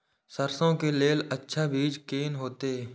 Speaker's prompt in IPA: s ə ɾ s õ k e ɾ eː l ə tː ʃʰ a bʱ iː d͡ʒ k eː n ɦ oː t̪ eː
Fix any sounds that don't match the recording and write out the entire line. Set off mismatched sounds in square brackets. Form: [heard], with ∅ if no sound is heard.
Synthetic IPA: s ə ɾ s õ k e [l] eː l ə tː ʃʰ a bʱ iː d͡ʒ k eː n ɦ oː t̪ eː